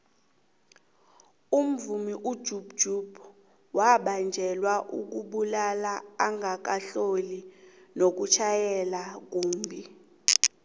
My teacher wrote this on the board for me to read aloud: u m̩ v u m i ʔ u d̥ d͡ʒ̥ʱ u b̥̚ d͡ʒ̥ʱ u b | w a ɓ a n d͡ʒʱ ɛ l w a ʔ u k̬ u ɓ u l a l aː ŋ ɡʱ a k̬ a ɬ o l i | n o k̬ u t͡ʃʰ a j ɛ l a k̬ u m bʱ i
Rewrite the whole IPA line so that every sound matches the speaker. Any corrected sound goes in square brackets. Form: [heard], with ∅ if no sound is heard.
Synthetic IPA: u m̩ v u m i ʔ u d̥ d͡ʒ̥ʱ u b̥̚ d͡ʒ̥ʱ u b | w a ɓ a n d͡ʒʱ ɛ l w a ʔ u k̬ u ɓ u l a l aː ŋ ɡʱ a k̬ a ɬ o l i | n o k̬ u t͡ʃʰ a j ɛ l a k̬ [uː] m bʱ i